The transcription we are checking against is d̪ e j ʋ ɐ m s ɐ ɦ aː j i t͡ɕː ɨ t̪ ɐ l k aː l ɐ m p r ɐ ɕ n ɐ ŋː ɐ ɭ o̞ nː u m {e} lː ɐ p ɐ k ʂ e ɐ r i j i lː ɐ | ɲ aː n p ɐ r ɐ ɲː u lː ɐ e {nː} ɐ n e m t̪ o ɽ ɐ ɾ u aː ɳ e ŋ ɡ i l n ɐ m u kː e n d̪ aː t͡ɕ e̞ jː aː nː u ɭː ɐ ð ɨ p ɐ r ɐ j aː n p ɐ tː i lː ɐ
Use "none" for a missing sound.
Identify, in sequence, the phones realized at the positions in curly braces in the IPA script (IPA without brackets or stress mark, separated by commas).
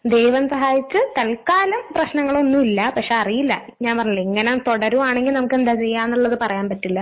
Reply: i, ŋː